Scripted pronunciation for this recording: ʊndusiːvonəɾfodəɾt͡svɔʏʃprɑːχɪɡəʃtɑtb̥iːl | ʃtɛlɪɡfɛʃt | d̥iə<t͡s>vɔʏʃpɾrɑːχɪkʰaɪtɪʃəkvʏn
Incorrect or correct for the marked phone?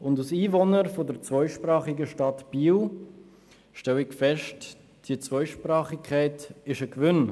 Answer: correct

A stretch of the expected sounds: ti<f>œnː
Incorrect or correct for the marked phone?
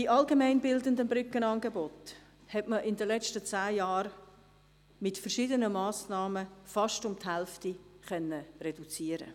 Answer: incorrect: χ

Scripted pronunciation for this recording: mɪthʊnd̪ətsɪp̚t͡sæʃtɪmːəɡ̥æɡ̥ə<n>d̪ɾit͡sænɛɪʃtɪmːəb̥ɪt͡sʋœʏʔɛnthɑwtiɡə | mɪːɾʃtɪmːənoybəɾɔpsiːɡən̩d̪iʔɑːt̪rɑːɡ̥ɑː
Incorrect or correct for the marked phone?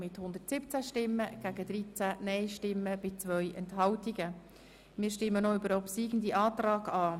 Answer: incorrect: none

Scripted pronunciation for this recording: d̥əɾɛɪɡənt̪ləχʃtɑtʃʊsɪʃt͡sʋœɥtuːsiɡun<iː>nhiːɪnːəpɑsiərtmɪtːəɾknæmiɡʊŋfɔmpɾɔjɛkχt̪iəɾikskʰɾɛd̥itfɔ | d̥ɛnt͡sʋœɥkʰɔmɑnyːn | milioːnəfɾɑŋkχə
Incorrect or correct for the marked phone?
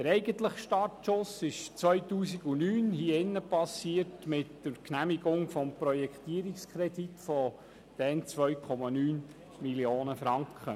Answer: incorrect: yː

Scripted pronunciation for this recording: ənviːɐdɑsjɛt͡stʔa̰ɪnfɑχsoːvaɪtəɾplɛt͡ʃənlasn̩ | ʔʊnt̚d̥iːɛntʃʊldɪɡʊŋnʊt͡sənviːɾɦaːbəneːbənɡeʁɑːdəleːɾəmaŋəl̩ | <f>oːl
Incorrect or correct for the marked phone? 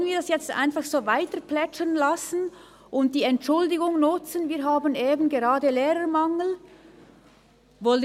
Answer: incorrect: v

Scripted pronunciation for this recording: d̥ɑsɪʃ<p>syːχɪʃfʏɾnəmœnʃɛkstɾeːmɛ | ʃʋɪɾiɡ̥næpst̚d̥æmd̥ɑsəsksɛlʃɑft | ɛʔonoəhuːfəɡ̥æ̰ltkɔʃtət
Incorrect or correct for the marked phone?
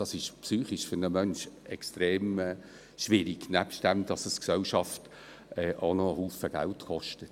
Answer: correct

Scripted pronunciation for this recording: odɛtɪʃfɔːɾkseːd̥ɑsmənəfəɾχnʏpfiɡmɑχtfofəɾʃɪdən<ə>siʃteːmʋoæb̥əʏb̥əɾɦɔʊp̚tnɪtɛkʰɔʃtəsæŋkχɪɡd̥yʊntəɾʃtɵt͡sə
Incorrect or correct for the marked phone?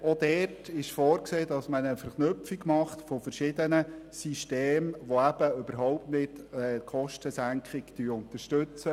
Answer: correct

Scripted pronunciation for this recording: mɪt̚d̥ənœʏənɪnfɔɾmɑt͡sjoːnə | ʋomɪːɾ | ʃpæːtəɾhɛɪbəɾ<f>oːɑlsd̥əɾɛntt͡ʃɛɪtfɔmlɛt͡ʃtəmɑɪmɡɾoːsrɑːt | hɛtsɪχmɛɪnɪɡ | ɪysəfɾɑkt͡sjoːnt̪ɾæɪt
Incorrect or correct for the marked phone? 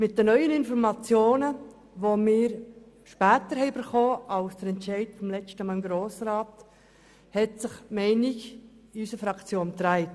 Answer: incorrect: χ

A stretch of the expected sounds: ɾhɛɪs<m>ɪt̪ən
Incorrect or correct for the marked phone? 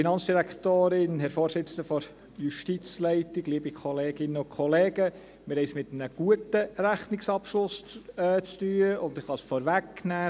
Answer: correct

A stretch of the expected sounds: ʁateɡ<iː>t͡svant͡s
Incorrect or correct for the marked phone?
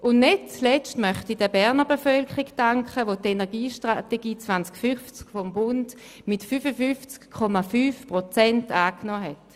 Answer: correct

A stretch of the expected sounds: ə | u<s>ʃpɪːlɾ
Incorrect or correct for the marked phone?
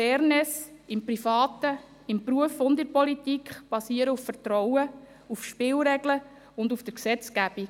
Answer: incorrect: f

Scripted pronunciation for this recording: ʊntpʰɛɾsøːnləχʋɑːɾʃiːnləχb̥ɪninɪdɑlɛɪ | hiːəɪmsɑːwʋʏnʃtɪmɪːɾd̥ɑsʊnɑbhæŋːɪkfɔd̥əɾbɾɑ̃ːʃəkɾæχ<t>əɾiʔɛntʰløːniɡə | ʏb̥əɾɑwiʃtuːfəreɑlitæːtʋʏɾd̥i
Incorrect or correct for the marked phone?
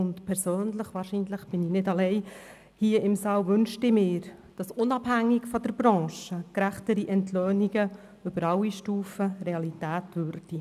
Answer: correct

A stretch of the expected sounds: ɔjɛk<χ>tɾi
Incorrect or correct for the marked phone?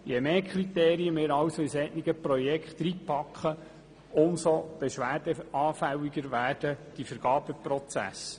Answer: correct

